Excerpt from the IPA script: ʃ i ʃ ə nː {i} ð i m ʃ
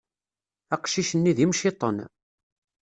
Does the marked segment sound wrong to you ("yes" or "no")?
no